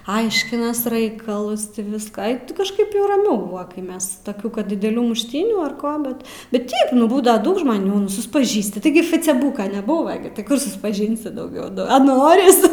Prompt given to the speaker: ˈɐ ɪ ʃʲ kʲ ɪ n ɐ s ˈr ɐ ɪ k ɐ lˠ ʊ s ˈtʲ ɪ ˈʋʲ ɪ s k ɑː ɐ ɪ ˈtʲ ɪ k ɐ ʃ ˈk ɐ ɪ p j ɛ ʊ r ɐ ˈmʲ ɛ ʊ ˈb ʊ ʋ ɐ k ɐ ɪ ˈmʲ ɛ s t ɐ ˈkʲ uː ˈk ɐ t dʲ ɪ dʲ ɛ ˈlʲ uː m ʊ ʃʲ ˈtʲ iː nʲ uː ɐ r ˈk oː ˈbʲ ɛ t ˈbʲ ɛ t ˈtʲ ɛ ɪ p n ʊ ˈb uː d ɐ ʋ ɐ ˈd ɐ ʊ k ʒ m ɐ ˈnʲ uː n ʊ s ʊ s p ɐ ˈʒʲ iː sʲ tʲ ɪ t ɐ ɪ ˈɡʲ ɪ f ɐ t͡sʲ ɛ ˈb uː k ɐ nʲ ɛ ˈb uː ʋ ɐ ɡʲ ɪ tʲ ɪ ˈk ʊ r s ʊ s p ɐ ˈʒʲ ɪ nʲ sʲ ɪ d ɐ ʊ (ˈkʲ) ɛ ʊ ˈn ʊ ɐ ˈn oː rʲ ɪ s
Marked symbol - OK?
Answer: no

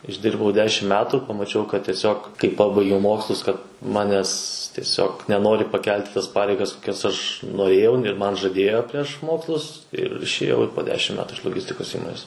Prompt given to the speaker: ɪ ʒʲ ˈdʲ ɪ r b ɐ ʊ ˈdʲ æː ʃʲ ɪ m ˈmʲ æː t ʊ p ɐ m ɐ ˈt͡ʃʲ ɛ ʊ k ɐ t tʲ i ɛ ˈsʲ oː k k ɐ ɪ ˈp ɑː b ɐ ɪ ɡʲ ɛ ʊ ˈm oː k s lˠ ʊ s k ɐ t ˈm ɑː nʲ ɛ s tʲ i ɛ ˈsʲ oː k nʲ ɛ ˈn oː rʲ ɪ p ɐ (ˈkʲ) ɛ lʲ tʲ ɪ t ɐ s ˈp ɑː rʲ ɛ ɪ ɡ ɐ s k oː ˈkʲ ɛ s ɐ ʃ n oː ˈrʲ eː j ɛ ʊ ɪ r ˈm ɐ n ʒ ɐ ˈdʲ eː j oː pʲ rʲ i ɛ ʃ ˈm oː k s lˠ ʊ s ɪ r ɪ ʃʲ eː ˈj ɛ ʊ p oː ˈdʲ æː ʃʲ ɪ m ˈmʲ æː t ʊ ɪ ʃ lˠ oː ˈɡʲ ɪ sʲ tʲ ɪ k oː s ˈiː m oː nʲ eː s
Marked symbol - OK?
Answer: yes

